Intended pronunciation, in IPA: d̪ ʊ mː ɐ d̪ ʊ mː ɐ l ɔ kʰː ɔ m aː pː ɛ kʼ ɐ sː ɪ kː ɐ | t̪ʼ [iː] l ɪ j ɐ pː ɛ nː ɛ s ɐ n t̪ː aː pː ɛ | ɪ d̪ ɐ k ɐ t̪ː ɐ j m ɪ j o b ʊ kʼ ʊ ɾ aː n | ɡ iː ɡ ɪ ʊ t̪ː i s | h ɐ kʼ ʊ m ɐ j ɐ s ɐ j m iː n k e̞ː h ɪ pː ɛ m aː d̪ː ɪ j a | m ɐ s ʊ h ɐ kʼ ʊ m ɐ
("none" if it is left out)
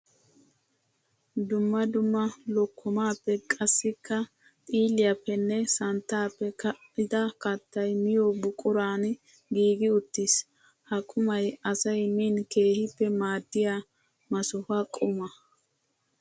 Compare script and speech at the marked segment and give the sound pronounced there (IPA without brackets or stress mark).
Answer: iː